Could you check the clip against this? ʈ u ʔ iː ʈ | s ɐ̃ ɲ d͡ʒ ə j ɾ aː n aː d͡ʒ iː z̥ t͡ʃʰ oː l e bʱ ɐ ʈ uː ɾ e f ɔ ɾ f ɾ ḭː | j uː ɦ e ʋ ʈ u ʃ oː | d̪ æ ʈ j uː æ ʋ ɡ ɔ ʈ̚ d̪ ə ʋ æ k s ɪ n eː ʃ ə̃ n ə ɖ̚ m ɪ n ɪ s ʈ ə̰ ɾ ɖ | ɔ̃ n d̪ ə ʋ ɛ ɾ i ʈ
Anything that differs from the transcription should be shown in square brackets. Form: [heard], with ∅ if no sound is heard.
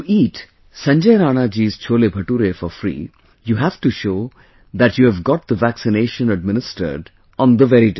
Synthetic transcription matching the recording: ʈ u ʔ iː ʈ | s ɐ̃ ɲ d͡ʒ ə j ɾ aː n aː d͡ʒ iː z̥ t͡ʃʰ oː l e bʱ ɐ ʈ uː ɾ e f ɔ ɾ f ɾ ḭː | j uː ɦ [æ] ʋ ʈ u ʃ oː | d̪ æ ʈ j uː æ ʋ ɡ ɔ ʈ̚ d̪ ə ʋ æ k s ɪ n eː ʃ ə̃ n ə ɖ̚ m ɪ n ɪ s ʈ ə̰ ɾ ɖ | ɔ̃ n d̪ ə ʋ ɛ ɾ i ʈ